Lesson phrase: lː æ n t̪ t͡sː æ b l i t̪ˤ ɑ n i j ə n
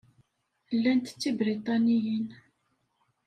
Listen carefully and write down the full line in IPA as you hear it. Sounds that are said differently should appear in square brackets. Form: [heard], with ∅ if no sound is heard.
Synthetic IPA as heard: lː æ n t̪ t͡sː [i] b [ɾ] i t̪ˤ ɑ n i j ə n